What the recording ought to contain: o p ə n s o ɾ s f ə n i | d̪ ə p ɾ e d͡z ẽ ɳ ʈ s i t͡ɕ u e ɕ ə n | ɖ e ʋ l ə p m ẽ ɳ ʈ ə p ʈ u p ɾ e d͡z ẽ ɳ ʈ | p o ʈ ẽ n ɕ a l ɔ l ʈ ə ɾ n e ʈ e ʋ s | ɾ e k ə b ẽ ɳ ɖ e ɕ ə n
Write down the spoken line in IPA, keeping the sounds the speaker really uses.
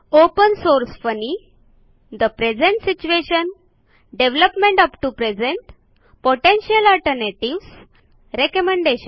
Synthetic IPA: o p ə n s o ɾ s f ə n i | d̪ ə p ɾ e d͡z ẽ ɳ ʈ s i t͡ɕ u e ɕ ə n | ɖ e ʋ l ə p m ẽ ɳ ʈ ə p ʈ u p ɾ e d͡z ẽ ɳ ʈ | p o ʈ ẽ n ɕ ə l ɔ l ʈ ə ɾ n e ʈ i ʋ s | ɾ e k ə m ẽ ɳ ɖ e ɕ ə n